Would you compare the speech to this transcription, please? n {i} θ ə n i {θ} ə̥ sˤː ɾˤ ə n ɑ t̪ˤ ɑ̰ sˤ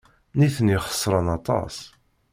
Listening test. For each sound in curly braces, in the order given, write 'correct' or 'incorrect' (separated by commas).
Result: correct, incorrect